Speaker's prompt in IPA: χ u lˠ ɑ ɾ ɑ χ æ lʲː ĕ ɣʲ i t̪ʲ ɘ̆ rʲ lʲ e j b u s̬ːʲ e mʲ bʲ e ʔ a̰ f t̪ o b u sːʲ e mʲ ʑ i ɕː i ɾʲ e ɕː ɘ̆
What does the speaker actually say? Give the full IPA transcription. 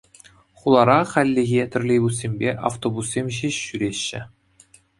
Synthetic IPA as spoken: χ u lˠ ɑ ɾ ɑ χ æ lʲː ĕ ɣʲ e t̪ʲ ɘ̆ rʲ lʲ e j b u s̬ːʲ e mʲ bʲ e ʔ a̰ f t̪ o b u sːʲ e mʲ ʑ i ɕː y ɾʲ e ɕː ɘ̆